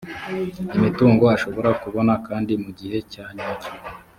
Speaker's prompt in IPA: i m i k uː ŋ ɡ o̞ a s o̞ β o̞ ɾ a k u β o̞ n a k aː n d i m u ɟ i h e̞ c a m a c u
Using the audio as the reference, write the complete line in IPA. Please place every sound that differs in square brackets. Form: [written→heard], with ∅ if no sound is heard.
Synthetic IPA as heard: i m i [k→t] uː ŋ ɡ o̞ a [s→ʃ] o̞ β o̞ ɾ a k u β o̞ n a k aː n d i m u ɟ i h e̞ c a [m→ɲ] a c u